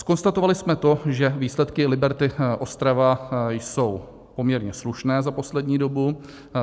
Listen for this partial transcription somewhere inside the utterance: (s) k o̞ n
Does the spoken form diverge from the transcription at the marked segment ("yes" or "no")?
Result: no